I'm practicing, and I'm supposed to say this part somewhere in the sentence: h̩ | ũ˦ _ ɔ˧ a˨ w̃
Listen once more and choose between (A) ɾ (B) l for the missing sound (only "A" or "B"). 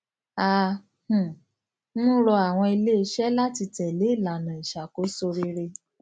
A